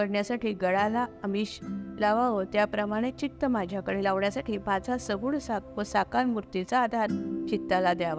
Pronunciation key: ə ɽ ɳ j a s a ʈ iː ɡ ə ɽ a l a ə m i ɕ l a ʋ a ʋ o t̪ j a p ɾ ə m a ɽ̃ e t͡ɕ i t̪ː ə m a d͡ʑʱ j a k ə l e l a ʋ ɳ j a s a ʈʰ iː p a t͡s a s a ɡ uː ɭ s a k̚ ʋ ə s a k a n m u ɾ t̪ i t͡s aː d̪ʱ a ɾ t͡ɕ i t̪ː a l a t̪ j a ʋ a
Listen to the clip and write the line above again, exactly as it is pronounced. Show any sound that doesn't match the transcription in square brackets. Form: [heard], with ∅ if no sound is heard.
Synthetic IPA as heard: ə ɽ ɳ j a s a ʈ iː ɡ ə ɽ a l a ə m i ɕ l a ʋ a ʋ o t̪ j a p ɾ ə m a ɽ̃ e t͡ɕ i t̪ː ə m a d͡ʑʱ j a k ə [ɽ] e l a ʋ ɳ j a s a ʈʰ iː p a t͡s a s [ə] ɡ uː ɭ s a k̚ ʋ ə s a k a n m u ɾ t̪ i t͡s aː d̪ʱ a ɾ t͡ɕ i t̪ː a l a [d̪] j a ʋ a